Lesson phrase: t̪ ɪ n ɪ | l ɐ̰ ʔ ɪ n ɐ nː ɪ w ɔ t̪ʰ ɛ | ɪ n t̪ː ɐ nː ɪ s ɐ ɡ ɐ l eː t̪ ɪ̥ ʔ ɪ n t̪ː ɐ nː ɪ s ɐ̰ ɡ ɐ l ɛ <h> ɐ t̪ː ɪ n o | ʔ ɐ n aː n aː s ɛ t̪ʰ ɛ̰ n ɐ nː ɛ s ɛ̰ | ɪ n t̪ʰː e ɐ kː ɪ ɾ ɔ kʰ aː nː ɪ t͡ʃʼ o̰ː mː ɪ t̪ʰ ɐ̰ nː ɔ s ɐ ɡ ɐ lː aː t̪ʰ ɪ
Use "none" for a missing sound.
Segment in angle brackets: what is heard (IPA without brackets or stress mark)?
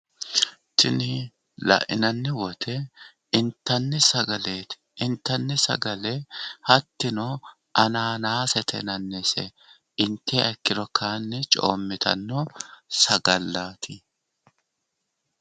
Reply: h